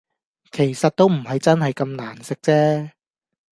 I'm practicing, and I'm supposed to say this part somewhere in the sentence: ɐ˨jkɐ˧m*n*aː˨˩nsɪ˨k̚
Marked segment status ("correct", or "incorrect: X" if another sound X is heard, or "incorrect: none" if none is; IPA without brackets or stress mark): correct